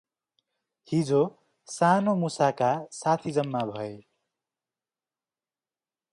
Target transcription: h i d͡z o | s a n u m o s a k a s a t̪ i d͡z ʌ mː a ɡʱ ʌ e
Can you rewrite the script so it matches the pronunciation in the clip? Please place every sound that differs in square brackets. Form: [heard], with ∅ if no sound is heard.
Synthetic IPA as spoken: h i d͡z o | s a n [o] m [u] s a k a s a [t̪ʰ] i d͡z ʌ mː a [bʱ] ʌ e